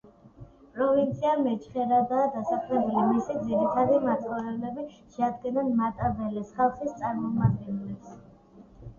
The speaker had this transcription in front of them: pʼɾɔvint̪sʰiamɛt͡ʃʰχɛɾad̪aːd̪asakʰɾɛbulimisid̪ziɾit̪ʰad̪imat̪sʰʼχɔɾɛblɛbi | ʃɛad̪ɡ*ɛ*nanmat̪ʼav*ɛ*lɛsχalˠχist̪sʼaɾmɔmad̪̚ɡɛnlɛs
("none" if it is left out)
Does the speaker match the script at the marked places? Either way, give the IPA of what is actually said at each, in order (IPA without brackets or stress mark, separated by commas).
ɛ, ɛ